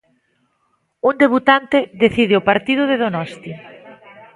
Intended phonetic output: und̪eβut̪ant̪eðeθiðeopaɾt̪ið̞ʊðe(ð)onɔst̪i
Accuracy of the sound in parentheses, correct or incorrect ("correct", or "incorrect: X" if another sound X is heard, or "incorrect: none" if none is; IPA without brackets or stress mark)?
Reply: correct